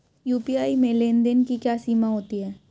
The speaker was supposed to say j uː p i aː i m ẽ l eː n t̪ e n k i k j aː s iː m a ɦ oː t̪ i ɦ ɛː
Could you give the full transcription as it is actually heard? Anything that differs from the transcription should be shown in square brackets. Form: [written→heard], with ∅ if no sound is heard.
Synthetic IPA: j uː p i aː i m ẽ l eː n [t̪→d̪] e n k i k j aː s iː m a ɦ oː t̪ i ɦ ɛː